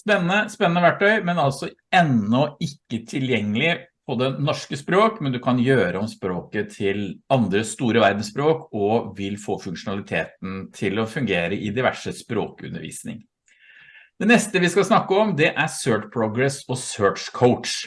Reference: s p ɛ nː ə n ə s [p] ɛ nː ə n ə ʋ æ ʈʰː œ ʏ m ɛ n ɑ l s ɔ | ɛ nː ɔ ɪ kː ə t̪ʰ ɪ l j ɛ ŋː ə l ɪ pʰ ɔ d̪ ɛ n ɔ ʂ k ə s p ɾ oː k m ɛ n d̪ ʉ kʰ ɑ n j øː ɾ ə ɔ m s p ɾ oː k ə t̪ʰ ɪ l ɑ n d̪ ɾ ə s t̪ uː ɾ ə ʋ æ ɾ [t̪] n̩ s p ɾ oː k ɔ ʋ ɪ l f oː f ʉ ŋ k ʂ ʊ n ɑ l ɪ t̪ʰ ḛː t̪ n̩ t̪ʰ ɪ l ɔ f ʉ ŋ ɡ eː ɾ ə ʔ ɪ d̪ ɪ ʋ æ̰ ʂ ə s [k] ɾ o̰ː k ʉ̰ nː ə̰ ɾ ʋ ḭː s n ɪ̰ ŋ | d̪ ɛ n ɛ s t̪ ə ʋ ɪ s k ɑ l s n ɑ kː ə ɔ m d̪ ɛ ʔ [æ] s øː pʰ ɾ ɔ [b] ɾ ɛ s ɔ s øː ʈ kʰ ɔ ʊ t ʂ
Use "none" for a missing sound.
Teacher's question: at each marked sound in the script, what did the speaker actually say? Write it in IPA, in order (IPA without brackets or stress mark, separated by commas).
p, d̪, p, æ, ɡ